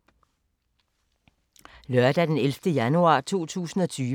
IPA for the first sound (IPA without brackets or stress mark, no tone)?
l